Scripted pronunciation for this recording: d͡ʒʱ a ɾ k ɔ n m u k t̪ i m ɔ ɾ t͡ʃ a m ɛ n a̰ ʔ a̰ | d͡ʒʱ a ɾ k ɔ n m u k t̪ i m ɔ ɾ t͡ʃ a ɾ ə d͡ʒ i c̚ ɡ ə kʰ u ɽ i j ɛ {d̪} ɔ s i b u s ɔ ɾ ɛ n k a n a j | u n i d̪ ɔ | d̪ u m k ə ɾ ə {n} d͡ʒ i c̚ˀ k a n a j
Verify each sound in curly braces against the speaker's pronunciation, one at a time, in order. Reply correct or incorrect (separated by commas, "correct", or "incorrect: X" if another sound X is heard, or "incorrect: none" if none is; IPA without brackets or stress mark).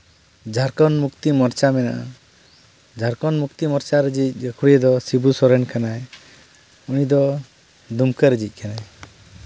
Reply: correct, incorrect: none